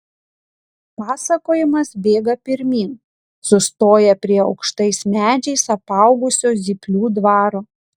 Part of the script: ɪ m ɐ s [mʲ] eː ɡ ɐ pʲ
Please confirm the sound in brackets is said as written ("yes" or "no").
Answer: no